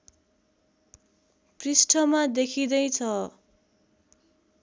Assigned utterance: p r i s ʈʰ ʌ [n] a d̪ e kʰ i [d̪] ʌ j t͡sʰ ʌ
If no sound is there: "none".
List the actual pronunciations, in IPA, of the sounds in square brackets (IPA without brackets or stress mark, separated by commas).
m, d̪